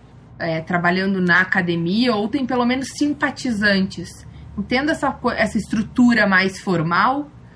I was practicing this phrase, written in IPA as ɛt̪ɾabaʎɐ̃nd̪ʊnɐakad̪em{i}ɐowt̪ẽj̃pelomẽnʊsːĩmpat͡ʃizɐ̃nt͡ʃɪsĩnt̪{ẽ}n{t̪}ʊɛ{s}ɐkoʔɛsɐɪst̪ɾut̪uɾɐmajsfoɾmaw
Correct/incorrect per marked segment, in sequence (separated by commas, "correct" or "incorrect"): correct, correct, incorrect, correct